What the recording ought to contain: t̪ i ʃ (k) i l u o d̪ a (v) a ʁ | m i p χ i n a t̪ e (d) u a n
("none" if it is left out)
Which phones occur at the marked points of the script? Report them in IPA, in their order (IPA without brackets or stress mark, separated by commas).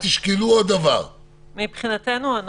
k, v, n